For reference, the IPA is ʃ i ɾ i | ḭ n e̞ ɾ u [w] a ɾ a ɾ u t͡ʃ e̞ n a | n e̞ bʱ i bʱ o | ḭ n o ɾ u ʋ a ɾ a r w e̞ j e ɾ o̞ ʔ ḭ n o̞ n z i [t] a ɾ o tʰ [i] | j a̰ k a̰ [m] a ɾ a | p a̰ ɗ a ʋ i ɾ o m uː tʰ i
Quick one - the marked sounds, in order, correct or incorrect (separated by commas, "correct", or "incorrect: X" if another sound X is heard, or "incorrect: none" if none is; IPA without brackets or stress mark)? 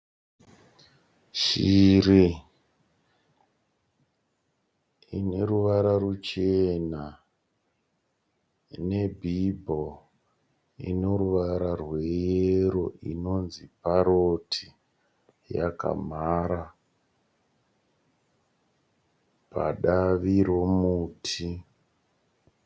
incorrect: ʋ, incorrect: p, correct, correct